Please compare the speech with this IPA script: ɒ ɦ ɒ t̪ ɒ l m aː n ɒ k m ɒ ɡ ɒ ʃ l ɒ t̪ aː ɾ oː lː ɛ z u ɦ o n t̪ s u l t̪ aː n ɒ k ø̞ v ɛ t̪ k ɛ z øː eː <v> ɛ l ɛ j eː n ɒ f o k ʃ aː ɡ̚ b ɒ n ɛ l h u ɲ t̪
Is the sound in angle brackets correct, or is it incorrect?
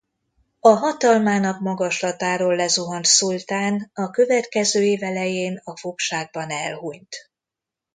correct